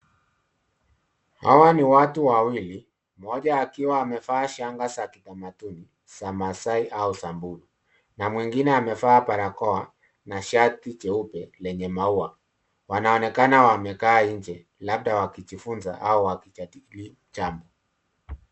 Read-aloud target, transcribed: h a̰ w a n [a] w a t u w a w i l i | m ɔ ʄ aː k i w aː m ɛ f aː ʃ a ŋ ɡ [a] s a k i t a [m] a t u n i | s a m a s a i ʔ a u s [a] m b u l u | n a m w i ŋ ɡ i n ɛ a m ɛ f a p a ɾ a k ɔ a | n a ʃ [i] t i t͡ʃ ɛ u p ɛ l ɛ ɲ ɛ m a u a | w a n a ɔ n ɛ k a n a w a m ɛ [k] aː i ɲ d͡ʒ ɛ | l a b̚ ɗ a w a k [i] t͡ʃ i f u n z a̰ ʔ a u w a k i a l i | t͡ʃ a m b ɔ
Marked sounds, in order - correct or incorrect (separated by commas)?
incorrect, correct, correct, correct, incorrect, correct, correct